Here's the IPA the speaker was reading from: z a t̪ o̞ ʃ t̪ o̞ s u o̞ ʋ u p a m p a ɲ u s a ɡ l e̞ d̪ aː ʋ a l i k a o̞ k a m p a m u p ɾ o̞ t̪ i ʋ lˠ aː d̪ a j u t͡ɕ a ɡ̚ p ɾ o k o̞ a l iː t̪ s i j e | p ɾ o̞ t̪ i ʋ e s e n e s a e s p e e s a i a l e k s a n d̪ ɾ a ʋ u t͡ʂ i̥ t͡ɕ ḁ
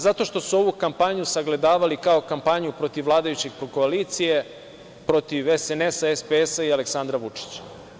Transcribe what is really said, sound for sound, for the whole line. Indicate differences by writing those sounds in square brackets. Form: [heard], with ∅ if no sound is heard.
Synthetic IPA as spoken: z a t̪ o̞ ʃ t̪ o̞ s u o̞ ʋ u [k] a m p a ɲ u s a ɡ l e̞ d̪ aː ʋ a l i k a o̞ k a m p a [ɲ] u p ɾ o̞ t̪ i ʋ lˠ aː d̪ a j u t͡ɕ [e] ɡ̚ p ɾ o k o̞ a l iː t̪ s i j e | p ɾ o̞ t̪ i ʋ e s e n e s a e s p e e s a i a l e k s a n d̪ ɾ a ʋ u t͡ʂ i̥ t͡ɕ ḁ